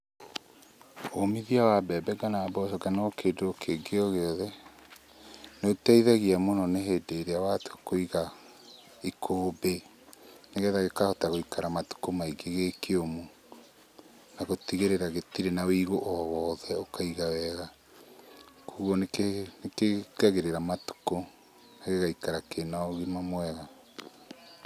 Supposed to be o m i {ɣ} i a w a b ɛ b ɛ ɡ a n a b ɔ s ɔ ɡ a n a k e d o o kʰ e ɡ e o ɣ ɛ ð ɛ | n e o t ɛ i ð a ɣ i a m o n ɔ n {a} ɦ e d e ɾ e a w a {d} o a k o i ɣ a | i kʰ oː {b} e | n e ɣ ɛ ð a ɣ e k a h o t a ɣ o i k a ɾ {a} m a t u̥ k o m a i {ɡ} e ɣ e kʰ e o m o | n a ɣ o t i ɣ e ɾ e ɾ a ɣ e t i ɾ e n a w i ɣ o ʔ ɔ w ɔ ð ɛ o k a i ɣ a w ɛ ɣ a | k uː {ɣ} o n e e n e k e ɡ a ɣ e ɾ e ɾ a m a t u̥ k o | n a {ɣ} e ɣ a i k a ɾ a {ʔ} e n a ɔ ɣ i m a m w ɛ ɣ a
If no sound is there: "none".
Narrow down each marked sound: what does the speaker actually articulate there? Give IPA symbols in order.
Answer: ð, e, t, b, a, ɡ, ɣ, ɣ, k

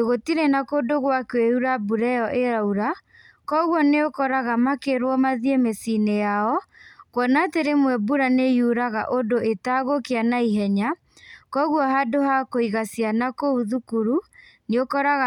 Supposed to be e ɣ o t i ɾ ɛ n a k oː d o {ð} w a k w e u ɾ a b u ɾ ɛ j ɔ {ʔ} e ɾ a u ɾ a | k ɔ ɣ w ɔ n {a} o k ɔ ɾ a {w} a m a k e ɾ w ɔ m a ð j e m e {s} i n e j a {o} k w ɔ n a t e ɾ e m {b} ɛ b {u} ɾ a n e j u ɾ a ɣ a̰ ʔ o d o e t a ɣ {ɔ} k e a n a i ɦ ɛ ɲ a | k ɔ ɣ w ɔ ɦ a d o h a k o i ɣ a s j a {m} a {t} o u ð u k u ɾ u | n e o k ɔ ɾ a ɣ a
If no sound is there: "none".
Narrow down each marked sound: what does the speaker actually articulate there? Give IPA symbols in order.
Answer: ɣ, ʔ, e, ɣ, s, ɔ, w, u, o, n, k

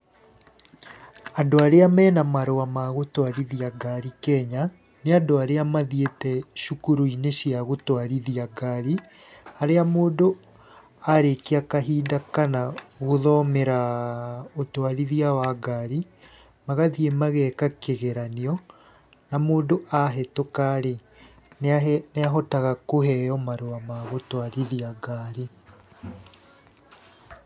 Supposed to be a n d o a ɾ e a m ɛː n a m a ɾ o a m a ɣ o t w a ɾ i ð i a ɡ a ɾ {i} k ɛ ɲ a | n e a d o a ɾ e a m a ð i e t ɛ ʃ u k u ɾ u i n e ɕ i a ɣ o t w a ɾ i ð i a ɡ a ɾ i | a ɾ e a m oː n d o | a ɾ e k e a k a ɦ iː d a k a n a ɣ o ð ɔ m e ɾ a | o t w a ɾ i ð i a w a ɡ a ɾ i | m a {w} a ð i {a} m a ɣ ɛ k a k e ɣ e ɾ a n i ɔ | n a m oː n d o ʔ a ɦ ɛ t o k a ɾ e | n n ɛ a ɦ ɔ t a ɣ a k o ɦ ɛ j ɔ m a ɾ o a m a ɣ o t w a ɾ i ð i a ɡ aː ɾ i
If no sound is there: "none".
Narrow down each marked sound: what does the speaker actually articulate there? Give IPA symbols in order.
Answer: i, ɣ, e

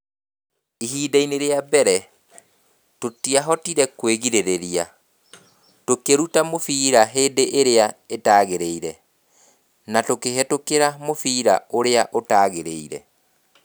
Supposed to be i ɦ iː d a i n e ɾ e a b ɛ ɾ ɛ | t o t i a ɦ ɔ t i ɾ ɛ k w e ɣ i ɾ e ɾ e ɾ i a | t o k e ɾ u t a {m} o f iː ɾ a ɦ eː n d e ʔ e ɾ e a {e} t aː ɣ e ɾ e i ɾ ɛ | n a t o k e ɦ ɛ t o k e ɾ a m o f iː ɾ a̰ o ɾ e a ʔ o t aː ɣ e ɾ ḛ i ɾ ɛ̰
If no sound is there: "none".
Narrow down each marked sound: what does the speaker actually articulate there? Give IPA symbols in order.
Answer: m, e

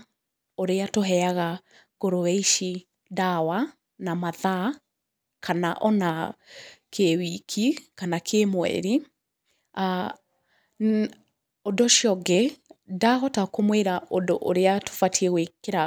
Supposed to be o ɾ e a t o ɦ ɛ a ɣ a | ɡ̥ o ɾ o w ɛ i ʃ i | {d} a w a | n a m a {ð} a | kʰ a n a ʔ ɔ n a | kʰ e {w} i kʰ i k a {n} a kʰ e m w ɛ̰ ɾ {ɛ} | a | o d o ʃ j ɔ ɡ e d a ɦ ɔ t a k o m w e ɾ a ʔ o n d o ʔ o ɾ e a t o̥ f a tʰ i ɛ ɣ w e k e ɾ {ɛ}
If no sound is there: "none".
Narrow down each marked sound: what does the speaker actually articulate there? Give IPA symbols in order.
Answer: d, ð, w, n, i, a

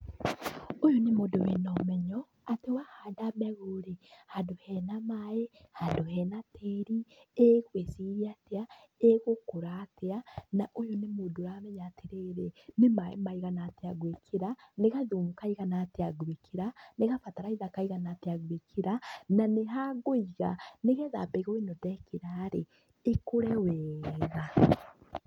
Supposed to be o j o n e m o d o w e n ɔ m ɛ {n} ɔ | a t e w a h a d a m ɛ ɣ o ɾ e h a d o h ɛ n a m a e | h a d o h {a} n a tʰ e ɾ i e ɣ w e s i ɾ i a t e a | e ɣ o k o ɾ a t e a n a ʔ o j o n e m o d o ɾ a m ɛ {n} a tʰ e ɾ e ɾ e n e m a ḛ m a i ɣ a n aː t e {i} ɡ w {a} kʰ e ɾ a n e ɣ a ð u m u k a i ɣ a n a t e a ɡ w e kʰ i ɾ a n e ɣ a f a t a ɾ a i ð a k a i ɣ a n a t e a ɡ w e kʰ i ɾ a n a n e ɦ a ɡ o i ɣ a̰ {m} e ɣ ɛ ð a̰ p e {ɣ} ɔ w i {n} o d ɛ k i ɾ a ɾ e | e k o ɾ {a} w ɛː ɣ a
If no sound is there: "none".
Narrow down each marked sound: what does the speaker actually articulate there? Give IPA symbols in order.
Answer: ɲ, ɛ, ɲ, a, e, n, ɣ, n, ɛ

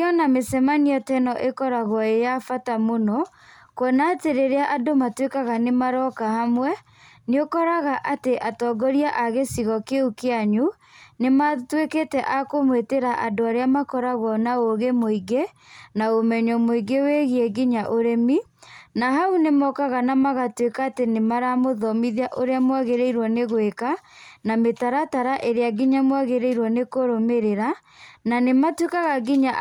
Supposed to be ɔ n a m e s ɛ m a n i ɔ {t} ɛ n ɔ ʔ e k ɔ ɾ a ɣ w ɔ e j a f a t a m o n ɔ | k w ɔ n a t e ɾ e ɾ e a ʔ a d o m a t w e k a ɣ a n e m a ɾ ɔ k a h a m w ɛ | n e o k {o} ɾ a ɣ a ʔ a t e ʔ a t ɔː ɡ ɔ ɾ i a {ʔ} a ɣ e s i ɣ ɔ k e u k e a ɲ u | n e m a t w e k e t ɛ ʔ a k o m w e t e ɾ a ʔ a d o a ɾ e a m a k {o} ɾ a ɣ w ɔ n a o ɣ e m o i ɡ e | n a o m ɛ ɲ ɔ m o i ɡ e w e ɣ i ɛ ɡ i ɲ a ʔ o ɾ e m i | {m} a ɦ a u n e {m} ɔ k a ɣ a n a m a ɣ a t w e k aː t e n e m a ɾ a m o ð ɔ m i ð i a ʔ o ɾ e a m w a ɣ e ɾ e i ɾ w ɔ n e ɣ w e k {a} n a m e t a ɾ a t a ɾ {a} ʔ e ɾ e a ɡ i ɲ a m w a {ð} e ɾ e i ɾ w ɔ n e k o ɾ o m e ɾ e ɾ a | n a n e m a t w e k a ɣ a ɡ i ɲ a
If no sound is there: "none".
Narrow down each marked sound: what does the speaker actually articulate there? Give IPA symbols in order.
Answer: t, ɔ, ʔ, ɔ, n, m, a, a, ɣ

